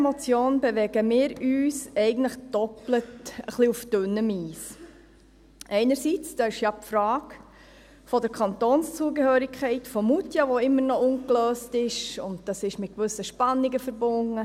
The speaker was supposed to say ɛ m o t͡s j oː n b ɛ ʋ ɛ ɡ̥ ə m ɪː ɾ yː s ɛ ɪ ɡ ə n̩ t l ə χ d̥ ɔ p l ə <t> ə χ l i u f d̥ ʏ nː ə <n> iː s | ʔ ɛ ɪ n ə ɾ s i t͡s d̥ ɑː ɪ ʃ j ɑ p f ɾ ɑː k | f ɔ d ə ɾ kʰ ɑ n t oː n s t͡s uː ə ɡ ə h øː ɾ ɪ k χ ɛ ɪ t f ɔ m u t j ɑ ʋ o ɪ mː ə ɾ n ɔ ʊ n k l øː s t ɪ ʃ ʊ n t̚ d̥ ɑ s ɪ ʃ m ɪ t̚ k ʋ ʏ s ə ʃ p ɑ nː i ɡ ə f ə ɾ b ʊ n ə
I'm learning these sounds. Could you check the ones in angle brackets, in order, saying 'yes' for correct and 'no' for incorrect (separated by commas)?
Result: yes, no